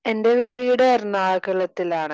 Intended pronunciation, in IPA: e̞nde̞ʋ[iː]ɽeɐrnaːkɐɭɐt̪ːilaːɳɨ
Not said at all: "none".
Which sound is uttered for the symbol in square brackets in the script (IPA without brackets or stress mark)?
iː